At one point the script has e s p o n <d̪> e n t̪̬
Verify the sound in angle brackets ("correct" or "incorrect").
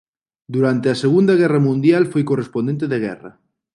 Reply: correct